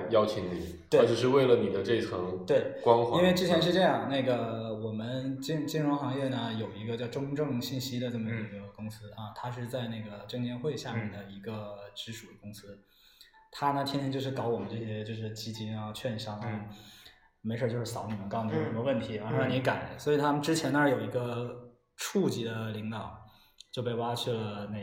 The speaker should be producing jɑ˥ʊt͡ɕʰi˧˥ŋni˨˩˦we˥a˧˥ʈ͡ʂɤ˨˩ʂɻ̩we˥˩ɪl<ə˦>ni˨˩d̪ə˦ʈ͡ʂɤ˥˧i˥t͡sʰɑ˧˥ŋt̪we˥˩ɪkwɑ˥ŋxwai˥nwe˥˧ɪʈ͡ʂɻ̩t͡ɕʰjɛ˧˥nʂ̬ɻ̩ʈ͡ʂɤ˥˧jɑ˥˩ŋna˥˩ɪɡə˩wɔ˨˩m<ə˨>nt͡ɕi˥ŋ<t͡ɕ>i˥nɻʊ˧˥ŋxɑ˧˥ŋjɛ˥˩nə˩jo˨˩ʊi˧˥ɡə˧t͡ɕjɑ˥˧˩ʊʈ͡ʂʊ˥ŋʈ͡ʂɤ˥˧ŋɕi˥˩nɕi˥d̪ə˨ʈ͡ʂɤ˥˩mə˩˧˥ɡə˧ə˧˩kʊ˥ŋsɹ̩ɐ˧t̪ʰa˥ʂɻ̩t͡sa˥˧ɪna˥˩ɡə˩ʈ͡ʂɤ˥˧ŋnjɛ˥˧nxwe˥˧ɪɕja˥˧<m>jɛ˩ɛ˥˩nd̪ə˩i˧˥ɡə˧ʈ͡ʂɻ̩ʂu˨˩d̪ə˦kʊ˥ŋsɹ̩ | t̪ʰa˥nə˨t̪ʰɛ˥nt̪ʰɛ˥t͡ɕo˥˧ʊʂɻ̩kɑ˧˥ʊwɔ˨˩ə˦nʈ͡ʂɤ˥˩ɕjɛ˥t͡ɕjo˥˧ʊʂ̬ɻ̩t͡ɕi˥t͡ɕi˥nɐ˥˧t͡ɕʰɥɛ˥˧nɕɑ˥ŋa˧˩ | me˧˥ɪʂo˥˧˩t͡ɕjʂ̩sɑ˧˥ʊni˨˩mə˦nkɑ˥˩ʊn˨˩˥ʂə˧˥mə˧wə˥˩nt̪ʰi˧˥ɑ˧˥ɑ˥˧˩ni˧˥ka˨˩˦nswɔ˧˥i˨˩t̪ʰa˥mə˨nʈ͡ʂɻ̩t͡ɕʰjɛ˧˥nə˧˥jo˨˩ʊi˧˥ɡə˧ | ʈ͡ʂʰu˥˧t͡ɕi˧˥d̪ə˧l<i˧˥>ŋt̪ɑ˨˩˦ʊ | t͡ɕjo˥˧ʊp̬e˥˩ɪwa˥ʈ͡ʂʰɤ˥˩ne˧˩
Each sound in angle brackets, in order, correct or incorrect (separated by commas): incorrect, incorrect, correct, correct, correct